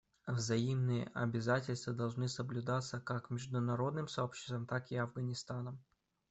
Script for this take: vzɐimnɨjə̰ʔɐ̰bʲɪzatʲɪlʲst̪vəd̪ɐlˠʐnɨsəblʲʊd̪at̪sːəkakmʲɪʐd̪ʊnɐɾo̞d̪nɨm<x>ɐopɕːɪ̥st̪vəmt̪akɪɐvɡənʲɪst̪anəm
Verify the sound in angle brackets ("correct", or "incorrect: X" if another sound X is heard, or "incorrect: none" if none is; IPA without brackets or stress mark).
incorrect: s